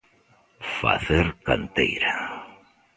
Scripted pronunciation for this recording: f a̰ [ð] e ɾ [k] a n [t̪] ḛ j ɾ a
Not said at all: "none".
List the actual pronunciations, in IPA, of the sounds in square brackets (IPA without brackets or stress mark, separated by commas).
θ, k, t̪